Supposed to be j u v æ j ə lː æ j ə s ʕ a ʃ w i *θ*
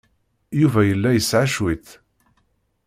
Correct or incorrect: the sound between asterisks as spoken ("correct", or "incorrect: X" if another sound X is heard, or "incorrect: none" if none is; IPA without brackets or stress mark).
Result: correct